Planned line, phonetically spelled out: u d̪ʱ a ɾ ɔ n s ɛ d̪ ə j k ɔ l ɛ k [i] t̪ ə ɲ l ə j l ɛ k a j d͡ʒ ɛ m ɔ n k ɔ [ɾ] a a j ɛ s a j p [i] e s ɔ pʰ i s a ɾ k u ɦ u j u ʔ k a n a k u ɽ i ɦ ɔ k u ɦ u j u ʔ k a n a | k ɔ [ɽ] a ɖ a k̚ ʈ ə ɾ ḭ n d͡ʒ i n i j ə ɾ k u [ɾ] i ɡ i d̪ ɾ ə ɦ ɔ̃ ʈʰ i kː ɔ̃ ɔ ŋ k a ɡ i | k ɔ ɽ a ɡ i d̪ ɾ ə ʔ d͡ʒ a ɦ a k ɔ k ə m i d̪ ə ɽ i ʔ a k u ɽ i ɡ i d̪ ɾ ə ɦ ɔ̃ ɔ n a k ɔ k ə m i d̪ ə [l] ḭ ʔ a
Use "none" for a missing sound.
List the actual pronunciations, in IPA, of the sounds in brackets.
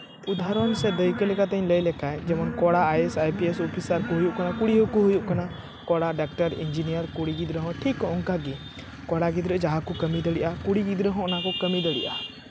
a, ɽ, i, ɽ, ɽ, ɽ

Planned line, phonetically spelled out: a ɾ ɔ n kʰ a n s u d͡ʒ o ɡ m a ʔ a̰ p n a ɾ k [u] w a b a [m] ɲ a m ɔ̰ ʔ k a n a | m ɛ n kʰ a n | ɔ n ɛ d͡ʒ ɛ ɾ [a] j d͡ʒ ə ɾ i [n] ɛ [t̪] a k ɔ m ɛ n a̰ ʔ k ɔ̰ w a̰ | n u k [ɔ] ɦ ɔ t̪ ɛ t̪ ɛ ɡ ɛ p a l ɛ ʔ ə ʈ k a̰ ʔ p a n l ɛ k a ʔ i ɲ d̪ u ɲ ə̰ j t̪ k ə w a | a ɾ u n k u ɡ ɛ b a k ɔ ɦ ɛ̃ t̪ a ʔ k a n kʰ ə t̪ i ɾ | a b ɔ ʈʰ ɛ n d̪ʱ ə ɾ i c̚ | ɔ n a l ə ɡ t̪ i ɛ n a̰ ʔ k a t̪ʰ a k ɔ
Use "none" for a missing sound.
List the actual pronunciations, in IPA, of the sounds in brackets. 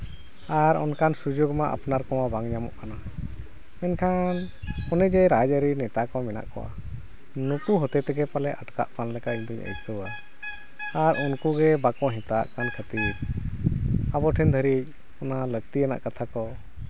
ɔ, ŋ, a, n, t̪, u

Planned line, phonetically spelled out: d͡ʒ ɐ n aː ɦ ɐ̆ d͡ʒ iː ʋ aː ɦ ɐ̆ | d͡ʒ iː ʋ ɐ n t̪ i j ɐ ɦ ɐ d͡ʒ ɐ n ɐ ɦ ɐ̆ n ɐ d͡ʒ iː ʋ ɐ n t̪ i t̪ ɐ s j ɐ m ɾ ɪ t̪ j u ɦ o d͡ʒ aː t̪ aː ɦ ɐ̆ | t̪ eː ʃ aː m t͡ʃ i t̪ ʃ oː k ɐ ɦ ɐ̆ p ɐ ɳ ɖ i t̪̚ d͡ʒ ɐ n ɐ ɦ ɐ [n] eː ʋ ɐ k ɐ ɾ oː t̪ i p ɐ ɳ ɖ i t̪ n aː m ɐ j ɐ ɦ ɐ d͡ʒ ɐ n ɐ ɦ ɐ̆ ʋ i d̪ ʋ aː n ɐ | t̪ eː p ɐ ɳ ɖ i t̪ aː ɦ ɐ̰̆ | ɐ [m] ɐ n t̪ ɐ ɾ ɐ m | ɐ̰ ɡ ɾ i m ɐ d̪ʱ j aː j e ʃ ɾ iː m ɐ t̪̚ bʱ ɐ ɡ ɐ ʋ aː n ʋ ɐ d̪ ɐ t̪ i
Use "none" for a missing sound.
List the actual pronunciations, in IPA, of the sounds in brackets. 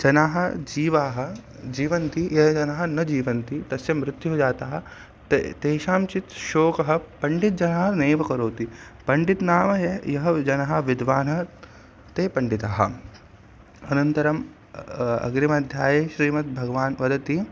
n, n

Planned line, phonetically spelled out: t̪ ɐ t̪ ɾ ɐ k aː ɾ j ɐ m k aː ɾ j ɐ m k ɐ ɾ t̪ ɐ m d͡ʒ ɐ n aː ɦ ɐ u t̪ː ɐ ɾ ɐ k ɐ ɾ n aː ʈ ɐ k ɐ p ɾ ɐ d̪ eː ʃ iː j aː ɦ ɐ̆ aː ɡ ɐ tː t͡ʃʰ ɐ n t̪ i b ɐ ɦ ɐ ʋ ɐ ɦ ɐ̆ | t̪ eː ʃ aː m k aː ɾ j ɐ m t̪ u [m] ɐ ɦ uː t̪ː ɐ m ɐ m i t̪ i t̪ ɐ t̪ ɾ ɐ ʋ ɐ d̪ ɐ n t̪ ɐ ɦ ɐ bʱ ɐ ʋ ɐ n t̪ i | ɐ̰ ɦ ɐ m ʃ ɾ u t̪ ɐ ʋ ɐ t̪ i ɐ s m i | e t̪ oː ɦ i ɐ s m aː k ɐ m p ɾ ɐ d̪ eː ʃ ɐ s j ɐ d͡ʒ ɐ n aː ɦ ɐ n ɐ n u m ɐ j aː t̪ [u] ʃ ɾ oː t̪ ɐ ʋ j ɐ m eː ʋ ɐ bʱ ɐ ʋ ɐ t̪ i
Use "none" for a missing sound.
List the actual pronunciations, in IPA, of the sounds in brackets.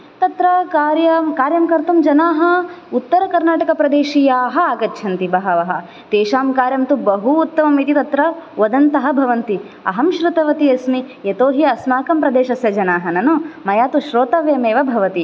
b, u

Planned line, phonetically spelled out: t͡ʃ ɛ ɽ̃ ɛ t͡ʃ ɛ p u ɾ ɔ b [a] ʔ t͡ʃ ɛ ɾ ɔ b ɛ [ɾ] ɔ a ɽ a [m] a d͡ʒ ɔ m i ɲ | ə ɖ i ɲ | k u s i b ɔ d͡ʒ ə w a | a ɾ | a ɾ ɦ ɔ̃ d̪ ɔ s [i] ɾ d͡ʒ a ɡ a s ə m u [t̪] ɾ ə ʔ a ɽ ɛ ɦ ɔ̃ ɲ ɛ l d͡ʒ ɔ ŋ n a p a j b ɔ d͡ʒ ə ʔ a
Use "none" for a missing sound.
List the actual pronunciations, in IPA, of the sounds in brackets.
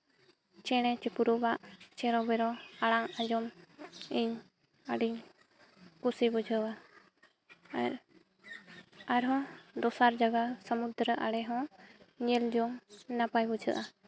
a, ɾ, ŋ, a, d̪

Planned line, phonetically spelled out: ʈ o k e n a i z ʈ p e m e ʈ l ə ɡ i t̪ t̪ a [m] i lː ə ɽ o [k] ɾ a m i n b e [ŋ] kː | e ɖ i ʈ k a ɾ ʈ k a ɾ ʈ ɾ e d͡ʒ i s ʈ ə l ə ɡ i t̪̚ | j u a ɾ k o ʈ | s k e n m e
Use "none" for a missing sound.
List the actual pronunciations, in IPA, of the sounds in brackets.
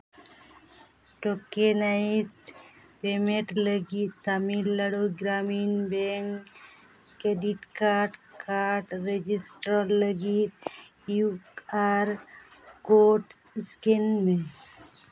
m, ɡ, ŋ

